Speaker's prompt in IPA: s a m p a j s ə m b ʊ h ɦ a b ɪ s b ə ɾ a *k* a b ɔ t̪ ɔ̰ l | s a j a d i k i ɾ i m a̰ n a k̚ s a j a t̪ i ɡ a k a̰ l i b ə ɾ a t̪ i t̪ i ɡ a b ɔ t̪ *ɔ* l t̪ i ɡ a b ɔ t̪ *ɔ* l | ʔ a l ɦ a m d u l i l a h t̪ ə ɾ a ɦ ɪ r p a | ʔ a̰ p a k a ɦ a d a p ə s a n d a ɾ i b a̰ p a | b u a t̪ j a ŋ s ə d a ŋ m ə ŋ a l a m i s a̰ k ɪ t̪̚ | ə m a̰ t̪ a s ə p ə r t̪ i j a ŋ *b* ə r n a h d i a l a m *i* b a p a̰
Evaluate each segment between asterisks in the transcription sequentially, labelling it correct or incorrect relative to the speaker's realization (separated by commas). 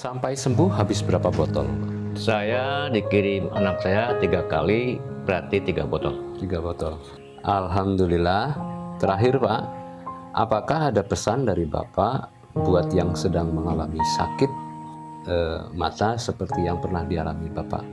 incorrect, correct, correct, incorrect, correct